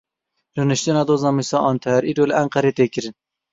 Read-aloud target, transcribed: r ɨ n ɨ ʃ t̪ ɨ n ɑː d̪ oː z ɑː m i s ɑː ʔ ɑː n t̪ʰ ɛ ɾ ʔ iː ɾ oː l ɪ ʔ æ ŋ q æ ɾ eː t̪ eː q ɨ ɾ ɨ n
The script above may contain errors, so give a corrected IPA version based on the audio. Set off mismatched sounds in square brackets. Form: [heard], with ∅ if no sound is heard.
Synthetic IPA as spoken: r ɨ n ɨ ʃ t̪ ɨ n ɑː d̪ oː z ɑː m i s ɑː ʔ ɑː n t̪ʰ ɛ ɾ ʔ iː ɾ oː l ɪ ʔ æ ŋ q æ ɾ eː t̪ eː [k] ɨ ɾ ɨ n